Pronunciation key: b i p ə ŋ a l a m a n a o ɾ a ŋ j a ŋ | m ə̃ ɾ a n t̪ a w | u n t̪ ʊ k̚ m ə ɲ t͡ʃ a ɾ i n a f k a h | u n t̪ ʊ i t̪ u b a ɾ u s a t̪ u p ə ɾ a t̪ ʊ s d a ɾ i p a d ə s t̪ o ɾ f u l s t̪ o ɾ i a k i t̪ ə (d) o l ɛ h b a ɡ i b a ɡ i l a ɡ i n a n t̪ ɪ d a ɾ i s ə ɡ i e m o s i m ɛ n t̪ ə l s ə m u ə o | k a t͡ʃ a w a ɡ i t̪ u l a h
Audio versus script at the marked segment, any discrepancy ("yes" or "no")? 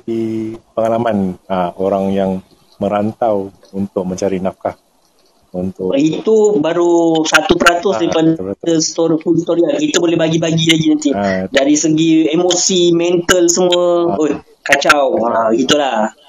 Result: yes